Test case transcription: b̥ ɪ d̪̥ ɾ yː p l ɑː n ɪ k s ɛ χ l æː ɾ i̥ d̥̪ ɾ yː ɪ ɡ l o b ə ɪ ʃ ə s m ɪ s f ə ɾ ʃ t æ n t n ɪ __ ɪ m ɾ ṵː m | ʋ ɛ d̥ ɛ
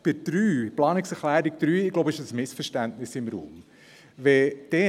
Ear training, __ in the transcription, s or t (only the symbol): s